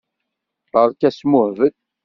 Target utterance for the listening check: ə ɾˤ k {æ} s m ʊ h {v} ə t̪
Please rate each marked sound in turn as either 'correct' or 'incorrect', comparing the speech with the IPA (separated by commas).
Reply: correct, correct